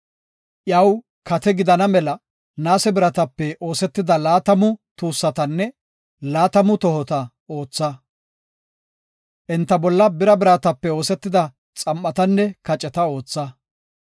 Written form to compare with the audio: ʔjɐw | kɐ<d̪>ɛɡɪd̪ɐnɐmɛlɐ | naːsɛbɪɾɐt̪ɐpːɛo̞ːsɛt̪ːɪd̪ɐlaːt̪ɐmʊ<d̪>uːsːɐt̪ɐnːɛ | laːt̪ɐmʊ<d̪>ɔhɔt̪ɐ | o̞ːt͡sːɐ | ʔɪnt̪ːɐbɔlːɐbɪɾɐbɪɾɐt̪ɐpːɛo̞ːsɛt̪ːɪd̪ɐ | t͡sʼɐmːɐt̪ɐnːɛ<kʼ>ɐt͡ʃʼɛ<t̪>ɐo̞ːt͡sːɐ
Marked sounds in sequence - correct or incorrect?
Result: incorrect: t̪, incorrect: t̪, incorrect: t̪, incorrect: k, correct

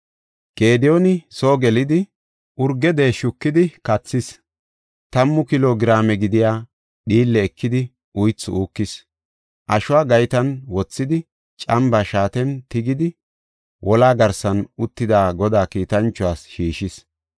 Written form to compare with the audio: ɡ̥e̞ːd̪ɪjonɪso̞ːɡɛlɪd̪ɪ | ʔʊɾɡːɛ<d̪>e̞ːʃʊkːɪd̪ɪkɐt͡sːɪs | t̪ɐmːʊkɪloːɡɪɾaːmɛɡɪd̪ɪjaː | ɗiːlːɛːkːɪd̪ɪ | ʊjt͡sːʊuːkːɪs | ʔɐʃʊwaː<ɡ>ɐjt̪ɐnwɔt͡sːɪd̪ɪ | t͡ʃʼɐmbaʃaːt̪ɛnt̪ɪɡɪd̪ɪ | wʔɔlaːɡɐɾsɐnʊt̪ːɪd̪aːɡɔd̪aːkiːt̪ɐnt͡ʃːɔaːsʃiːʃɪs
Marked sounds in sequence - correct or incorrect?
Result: correct, correct

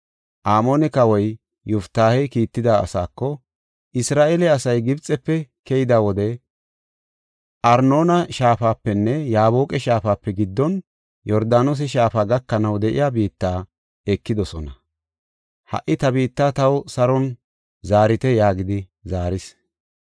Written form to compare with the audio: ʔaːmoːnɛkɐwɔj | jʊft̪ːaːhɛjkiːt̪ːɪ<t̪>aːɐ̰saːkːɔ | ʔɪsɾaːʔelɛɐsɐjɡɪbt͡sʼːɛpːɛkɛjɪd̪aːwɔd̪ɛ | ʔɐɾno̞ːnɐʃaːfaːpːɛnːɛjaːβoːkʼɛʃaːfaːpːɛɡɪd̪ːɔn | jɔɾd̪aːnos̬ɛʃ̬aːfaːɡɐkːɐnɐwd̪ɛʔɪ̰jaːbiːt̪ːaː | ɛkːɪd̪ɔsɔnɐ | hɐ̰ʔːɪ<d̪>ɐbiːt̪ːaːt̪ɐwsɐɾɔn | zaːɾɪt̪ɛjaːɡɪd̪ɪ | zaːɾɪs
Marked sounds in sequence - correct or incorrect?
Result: incorrect: d̪, incorrect: t̪

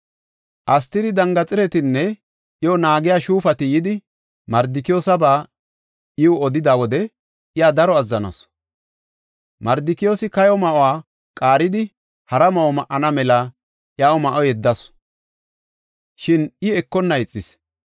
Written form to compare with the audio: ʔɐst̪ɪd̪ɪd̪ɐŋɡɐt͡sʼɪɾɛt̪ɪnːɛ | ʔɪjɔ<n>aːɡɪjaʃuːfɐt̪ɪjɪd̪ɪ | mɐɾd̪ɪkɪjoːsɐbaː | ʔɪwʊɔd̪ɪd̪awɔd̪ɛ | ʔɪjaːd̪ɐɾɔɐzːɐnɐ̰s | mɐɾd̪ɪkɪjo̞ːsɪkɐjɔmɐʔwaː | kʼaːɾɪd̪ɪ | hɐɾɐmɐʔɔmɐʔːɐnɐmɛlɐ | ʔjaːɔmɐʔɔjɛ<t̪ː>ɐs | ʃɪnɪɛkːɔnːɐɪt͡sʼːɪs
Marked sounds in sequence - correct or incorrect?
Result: correct, incorrect: d̪ː

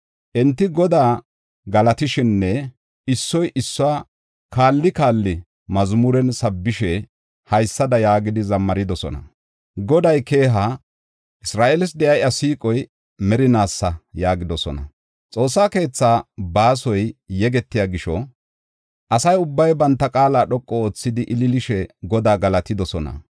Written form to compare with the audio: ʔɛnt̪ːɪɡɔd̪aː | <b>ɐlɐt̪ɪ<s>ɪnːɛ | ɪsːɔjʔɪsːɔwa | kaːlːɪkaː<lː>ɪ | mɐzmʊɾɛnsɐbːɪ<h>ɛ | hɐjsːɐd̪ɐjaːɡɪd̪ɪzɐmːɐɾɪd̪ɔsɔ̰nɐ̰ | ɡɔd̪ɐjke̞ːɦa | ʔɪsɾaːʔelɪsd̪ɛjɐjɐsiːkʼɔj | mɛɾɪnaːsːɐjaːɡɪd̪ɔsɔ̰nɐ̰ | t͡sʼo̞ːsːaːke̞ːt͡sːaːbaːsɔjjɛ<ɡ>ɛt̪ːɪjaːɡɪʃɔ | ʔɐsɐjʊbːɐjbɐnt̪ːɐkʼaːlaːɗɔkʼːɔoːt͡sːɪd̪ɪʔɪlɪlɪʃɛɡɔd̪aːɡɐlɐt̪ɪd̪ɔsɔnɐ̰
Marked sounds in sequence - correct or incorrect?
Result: incorrect: ɡ, incorrect: ʃ, correct, incorrect: ʃ, correct

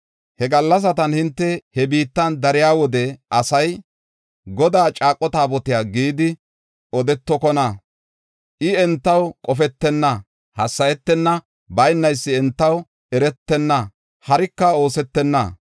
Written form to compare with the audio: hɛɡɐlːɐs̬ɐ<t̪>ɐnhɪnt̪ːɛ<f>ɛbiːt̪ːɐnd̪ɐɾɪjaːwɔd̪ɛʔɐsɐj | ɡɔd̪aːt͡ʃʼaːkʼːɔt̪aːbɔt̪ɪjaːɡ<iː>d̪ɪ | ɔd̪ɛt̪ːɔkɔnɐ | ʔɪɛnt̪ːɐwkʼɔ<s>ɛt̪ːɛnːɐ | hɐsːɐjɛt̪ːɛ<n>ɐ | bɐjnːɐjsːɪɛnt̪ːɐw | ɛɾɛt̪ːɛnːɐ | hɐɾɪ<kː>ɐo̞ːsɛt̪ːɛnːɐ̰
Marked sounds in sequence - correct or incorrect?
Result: correct, incorrect: h, correct, incorrect: f, incorrect: nː, correct

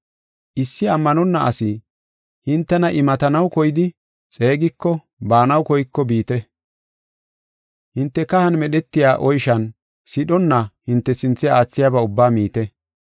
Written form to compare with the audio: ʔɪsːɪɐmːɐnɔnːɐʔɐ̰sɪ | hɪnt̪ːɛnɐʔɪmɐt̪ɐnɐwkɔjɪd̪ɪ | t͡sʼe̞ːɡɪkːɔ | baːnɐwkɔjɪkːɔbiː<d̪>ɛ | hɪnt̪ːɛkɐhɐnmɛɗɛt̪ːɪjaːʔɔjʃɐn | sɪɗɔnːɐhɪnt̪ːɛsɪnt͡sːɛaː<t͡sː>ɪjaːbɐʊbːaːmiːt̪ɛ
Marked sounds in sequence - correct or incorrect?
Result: incorrect: t̪, correct

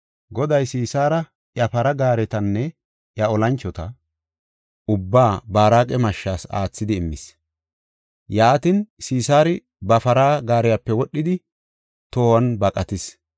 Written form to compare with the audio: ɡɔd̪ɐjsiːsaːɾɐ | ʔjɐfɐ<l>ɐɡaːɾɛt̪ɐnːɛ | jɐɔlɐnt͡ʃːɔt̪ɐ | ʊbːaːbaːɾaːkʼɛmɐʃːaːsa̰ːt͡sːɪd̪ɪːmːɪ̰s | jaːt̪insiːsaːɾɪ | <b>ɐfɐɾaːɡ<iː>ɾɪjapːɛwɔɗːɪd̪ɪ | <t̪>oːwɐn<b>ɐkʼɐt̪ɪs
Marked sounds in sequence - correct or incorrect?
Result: incorrect: ɾ, correct, incorrect: aː, correct, correct

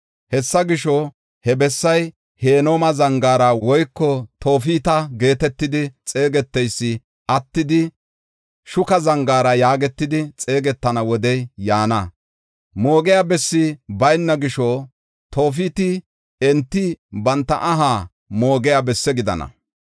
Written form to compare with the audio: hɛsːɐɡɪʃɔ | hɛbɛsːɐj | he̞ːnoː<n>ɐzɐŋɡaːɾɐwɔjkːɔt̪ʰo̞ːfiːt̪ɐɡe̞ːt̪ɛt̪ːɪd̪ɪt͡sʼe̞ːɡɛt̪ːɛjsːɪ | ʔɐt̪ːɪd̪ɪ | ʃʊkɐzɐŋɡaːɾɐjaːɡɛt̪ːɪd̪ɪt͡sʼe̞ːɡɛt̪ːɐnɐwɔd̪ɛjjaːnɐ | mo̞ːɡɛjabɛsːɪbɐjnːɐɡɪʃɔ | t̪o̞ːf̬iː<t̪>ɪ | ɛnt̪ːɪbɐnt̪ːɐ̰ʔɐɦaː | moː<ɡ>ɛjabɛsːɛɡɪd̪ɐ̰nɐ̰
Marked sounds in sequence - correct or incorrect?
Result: incorrect: m, correct, correct

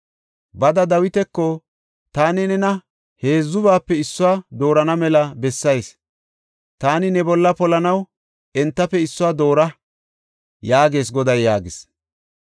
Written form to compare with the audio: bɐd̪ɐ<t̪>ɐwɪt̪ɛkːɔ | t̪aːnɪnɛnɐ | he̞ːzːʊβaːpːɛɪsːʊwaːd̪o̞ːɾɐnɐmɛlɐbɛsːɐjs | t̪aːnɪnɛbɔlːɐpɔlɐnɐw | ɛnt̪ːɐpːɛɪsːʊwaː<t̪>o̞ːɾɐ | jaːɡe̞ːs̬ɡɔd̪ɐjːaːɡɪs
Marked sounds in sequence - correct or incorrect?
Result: incorrect: d̪, incorrect: d̪

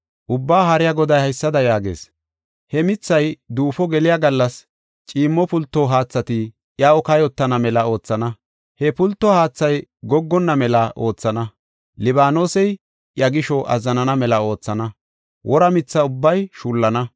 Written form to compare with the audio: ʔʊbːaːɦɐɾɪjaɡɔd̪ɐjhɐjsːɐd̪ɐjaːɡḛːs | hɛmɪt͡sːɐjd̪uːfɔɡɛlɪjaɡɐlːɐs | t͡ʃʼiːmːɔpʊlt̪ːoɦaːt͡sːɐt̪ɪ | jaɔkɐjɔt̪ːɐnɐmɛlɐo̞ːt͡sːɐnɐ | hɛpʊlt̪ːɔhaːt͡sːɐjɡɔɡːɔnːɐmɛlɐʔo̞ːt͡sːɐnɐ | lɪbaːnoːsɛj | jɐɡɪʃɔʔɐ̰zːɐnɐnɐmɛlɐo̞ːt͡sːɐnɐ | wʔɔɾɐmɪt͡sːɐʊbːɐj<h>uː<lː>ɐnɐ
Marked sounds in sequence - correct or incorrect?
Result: incorrect: ʃ, correct

